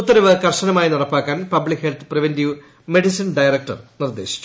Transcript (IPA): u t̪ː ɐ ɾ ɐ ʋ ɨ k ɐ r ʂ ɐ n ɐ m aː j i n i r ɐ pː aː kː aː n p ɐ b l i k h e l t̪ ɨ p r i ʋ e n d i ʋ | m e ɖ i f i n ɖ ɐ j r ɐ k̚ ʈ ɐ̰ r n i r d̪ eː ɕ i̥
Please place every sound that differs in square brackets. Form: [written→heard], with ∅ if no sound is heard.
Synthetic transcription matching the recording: u t̪ː ɐ ɾ ɐ ʋ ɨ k ɐ r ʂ ɐ n ɐ m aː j i n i r ɐ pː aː kː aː n p ɐ b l i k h e l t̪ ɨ p r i ʋ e n d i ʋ | m e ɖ i [f→s] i n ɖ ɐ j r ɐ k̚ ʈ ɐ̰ r n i r d̪ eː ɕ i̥